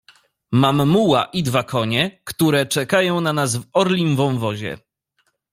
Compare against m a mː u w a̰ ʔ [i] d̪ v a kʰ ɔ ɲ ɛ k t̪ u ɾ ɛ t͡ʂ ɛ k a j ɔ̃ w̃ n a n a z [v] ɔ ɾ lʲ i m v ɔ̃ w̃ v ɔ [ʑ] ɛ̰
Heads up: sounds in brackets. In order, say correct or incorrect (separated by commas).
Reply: correct, correct, correct